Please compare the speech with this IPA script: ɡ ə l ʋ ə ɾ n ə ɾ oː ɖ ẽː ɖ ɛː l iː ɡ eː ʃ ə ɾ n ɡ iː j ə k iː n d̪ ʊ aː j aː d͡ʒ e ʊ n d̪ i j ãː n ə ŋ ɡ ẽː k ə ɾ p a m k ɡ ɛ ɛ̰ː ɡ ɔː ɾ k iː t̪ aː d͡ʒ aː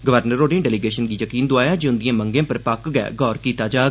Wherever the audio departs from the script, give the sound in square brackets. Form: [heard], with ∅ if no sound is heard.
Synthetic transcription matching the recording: ɡ ə [∅] ʋ ə ɾ n ə ɾ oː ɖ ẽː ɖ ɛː l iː ɡ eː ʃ ə [∅] n ɡ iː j ə k iː n d̪ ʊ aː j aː d͡ʒ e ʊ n d̪ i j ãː [m] ə ŋ ɡ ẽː [p] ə ɾ p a [∅] k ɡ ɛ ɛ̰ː ɡ ɔː ɾ k iː t̪ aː d͡ʒ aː